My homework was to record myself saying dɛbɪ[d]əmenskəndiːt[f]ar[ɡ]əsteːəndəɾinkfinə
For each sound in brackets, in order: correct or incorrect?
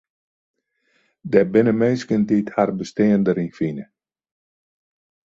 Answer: incorrect: n, incorrect: h, incorrect: b

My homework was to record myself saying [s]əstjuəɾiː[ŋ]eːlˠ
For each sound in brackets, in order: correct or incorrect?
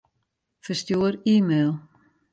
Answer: incorrect: f, incorrect: m

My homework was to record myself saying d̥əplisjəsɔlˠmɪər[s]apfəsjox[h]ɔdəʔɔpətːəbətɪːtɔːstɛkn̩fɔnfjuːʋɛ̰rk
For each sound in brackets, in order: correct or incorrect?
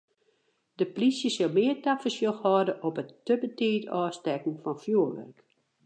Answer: incorrect: t, correct

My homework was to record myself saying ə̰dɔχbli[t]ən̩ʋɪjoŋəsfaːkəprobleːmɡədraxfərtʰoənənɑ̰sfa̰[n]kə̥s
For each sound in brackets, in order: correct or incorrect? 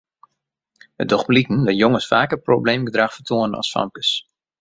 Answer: incorrect: k, incorrect: m

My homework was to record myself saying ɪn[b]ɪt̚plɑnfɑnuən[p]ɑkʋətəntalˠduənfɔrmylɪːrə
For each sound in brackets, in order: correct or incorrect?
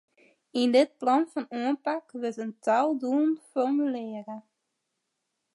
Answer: incorrect: d, correct

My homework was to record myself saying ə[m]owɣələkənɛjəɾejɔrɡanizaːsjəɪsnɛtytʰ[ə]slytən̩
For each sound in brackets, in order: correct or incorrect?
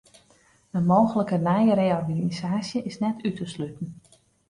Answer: correct, correct

